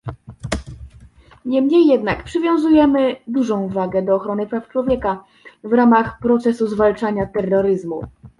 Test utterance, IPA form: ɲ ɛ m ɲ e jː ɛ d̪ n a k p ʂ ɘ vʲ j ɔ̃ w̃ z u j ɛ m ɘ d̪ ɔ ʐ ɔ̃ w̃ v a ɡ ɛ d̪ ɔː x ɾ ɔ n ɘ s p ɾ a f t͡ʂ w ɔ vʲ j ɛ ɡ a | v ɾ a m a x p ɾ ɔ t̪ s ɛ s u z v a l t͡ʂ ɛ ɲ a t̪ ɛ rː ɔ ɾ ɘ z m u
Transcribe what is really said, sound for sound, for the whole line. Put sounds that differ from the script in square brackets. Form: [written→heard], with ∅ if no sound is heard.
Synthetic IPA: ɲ ɛ m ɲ e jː ɛ d̪ n a k p ʂ ɘ vʲ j ɔ̃ w̃ z u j ɛ m ɘ d̪ [ɔ→u] ʐ ɔ̃ w̃ v a ɡ ɛ d̪ ɔː x ɾ ɔ n ɘ [s→∅] p ɾ a f t͡ʂ w ɔ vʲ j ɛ [ɡ→k] a | v ɾ a m a x p ɾ ɔ t̪ s ɛ s u z v a l t͡ʂ [ɛ→a] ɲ a t̪ ɛ rː ɔ ɾ ɘ z m u